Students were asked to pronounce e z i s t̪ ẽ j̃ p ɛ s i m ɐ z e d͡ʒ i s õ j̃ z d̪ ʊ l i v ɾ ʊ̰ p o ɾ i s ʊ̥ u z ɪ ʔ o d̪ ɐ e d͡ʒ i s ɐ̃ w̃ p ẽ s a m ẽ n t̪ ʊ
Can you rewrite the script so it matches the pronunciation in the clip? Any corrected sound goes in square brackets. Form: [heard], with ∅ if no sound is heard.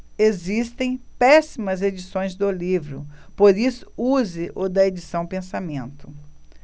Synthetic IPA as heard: e z i s t̪ ẽ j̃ p ɛ s i m ɐ z e d͡ʒ i s õ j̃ z d̪ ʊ l i v ɾ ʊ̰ p o ɾ i s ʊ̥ u z ɪ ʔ o d̪ ɐ e d͡ʒ i s ɐ̃ w̃ p ẽ s a m ẽ n t̪ ʊ